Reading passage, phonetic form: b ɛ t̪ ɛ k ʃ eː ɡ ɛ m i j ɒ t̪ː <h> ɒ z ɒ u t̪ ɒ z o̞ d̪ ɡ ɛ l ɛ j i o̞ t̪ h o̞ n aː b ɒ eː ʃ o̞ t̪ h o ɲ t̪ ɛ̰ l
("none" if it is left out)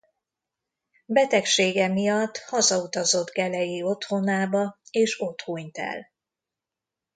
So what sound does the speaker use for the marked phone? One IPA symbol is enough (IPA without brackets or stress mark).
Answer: h